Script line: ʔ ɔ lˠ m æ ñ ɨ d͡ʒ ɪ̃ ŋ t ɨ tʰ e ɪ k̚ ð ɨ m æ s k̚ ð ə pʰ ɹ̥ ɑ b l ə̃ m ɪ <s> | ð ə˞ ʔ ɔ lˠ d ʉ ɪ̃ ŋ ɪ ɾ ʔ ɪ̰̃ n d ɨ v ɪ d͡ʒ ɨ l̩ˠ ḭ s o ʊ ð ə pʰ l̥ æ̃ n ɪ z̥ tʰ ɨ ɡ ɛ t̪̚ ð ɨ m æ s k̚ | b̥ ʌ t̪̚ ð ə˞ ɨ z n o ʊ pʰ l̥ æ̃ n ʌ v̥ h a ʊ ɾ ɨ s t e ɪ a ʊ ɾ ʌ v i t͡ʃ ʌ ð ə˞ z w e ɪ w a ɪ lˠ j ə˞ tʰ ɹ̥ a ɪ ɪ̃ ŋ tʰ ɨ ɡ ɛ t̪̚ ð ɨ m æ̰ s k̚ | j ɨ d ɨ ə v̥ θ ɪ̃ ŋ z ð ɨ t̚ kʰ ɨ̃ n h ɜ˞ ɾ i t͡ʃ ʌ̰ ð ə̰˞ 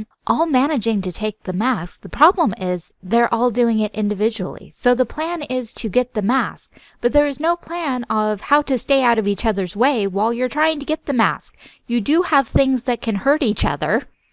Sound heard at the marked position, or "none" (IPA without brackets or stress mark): z